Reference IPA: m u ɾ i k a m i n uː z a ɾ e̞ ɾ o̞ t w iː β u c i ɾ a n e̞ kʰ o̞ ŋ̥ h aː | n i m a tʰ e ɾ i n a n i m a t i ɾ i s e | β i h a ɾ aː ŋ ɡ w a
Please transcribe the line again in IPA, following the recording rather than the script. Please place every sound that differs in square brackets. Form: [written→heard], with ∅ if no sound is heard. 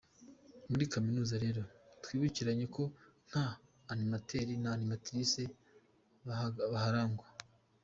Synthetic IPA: m u ɾ i k a m i n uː z a ɾ e̞ ɾ o̞ t w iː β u c i ɾ a [n→ɲ] e̞ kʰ o̞ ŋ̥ h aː | n i m a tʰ e ɾ i n a n i m a t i ɾ i s e | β [i→a] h a ɾ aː ŋ ɡ w a